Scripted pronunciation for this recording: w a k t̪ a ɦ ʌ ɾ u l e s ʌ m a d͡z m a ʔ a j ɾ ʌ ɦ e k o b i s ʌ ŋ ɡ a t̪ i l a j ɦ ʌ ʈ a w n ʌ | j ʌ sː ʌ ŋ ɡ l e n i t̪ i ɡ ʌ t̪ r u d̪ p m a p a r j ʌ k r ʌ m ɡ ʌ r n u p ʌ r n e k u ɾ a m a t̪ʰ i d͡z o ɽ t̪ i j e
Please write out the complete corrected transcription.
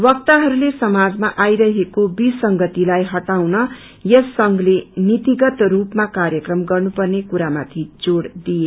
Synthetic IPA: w ʌ k t̪ a ɦ ʌ ɾ u l e s ʌ m a d͡z m a ʔ a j ɾ ʌ ɦ e k o b i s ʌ ŋ ɡ ʌ t̪ i l a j ɦ ʌ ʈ a w n ʌ | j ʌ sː ʌ ŋ ɡ l e n i t̪ i ɡ ʌ t̪ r u p m a k a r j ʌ k r ʌ m ɡ ʌ r n u p ʌ r n e k u ɾ a m a t̪ʰ i d͡z o ɽ d̪ i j e